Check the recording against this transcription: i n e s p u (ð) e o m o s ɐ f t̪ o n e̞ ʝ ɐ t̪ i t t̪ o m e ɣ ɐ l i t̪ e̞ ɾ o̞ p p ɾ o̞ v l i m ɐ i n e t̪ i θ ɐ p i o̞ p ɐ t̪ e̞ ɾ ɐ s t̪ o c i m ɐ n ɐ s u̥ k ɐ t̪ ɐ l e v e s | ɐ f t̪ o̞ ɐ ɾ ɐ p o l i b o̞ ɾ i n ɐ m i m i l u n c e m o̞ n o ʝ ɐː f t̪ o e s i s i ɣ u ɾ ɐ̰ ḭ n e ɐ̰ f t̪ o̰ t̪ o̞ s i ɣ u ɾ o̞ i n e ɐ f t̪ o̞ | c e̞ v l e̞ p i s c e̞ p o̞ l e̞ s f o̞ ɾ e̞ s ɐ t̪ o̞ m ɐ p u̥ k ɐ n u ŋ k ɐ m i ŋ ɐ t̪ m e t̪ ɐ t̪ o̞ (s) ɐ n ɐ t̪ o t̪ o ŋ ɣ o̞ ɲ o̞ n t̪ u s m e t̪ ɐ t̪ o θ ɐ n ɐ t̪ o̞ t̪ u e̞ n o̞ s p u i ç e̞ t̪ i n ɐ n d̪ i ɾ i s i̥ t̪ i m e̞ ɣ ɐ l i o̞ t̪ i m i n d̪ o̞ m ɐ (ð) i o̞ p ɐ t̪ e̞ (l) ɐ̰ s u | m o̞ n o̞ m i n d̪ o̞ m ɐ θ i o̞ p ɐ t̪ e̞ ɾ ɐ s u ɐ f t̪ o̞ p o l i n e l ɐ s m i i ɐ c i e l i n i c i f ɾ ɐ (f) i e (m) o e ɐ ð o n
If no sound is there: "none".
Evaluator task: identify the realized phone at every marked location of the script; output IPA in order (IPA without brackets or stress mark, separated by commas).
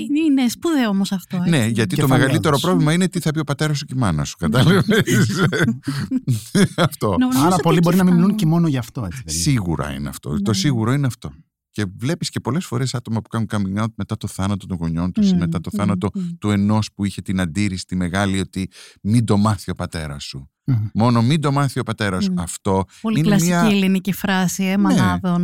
ð, θ, θ, ɾ, s, m